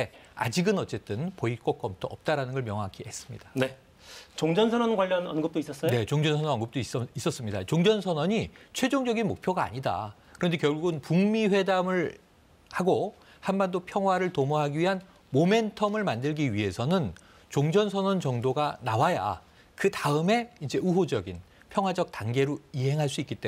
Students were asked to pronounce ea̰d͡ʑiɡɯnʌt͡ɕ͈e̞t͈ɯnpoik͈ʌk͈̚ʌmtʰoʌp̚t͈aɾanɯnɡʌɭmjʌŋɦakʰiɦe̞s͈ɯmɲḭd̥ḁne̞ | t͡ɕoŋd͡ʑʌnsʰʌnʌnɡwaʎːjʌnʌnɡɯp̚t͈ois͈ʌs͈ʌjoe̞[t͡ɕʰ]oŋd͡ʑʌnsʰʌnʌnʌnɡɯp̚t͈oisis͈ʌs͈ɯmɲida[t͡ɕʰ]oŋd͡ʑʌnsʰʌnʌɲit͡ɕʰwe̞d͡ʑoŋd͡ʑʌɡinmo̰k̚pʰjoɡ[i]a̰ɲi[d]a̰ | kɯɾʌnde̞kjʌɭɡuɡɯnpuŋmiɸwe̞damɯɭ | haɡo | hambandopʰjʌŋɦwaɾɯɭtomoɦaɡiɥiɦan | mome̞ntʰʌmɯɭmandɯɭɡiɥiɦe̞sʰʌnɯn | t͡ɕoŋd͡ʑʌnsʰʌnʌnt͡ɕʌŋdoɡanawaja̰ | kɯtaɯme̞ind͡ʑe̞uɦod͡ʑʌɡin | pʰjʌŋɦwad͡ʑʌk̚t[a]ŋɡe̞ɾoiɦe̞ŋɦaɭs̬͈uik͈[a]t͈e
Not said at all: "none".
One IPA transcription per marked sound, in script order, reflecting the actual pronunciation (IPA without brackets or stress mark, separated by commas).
t͡ɕ, t͡ɕ, a, d, a, i